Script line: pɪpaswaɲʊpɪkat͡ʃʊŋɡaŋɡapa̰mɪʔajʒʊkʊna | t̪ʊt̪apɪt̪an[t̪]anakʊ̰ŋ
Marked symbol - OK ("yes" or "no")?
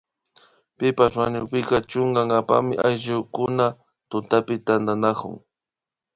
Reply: no